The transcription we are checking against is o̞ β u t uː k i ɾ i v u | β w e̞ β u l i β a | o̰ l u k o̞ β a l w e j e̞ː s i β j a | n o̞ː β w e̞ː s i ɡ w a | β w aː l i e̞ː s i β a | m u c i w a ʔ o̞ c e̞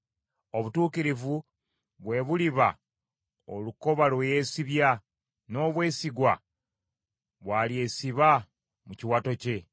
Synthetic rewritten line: o̞ β u t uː k i ɾ i v u | β w e̞ β u l i β a | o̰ l u k o̞ β a l w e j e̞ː s i β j a | n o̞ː β w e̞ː s i ɡ w a | β w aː l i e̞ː s i β a | m u c i w a t o̞ c e̞